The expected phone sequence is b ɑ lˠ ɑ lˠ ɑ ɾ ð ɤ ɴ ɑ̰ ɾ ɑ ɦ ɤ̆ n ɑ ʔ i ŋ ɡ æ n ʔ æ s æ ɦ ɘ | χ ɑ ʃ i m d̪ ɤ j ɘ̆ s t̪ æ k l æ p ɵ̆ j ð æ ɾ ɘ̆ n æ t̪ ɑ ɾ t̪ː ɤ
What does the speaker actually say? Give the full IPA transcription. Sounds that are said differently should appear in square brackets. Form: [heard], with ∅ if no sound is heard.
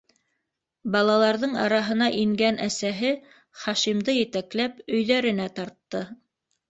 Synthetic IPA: b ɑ lˠ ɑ lˠ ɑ ɾ ð ɤ ɴ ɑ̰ ɾ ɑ ɦ ɤ̆ n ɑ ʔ i ŋ ɡ æ n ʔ æ s æ ɦ ɘ | χ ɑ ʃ i m d̪ ɤ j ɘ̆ [∅] t̪ æ k l æ p ɵ̆ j ð æ ɾ ɘ̆ n æ t̪ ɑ ɾ t̪ː ɤ